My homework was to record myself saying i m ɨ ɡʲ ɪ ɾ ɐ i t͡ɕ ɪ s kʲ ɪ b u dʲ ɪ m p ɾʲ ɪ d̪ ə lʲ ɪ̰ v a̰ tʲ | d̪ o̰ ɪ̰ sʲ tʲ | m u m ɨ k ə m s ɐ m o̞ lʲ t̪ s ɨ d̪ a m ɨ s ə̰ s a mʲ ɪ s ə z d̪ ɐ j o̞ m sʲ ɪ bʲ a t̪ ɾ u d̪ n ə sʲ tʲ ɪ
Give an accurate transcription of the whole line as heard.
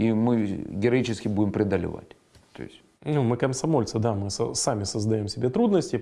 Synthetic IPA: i m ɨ ɡʲ ɪ ɾ ɐ i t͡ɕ ɪ s kʲ ɪ b u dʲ ɪ m p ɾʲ ɪ d̪ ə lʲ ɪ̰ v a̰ tʲ | t̪ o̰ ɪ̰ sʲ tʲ | n u m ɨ k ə m s ɐ m o̞ lʲ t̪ s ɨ d̪ a m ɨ s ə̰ s a mʲ ɪ s ə z d̪ ɐ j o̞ m sʲ ɪ bʲ e t̪ ɾ u d̪ n ə sʲ tʲ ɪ